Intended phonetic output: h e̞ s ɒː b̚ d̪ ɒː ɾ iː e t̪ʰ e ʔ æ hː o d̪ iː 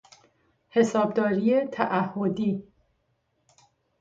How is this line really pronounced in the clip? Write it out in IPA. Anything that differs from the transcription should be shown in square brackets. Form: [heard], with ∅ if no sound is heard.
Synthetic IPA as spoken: h e̞ s ɒː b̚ d̪ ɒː ɾ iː e t̪ʰ [æ] ʔ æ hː o d̪ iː